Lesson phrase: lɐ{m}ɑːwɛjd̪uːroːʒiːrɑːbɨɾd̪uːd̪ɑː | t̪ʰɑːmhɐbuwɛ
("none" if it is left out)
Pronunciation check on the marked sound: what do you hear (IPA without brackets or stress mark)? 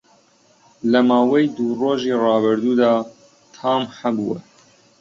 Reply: m